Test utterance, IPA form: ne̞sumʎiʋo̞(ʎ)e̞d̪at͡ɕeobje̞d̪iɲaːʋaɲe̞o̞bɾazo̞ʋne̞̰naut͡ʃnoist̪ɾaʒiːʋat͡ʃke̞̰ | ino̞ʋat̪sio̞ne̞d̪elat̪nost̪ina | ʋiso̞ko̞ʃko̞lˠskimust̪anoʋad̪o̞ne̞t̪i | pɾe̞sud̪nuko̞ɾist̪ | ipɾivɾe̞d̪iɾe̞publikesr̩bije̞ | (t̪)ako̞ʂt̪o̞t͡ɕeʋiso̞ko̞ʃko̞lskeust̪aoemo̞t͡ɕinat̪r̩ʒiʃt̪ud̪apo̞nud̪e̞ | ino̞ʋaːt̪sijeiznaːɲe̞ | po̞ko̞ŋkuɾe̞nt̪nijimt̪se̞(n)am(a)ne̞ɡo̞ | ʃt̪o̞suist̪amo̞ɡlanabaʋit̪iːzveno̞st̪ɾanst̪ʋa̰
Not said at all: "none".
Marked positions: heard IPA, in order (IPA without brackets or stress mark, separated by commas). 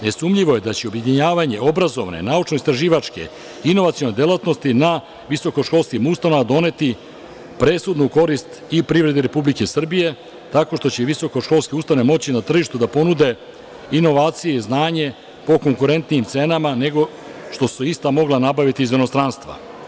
j, t̪, n, a